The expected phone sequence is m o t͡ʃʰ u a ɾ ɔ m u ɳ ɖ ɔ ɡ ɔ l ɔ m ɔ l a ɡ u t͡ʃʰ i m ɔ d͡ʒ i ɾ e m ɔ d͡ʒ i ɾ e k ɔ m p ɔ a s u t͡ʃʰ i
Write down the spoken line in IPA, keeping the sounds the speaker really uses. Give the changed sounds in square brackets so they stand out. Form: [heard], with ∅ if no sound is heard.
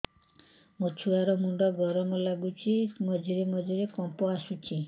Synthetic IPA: m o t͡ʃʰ u a ɾ ɔ m u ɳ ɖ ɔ ɡ ɔ [ɾ] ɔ m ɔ l a ɡ u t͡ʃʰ i m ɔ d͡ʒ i ɾ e m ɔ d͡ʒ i ɾ e k ɔ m p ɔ a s u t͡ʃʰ i